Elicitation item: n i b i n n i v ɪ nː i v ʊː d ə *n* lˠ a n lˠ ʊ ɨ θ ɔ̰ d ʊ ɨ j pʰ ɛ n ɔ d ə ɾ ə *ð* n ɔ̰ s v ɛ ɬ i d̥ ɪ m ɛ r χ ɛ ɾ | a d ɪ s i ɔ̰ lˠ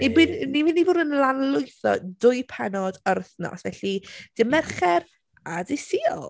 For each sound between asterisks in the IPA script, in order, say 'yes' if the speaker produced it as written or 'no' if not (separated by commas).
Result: yes, no